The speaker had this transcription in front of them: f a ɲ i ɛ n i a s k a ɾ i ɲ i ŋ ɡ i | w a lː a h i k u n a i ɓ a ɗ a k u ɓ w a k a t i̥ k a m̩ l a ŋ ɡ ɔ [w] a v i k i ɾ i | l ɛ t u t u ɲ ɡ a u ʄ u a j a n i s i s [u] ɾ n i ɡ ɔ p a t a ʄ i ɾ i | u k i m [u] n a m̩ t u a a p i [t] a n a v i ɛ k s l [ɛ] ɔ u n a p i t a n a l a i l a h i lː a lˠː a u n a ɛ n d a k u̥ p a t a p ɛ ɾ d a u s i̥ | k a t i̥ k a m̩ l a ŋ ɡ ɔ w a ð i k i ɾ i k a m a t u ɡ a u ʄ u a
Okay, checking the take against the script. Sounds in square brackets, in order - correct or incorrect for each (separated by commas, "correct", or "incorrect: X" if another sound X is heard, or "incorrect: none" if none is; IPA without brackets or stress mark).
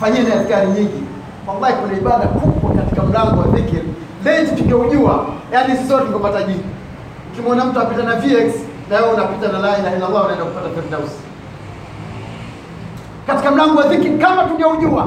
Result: correct, incorrect: ɔ, incorrect: ɔ, correct, correct